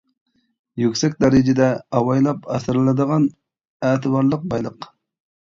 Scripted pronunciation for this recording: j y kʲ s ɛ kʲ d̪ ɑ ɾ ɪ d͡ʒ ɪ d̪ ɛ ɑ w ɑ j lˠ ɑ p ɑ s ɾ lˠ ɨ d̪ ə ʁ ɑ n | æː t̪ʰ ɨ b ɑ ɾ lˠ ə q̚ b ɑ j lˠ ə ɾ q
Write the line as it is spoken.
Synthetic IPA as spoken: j y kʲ s ɛ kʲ d̪ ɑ ɾ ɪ d͡ʒ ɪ d̪ ɛ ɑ w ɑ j lˠ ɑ p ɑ s ɾ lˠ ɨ d̪ ə ʁ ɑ n | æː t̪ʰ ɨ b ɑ ɾ lˠ ə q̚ b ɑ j lˠ ə q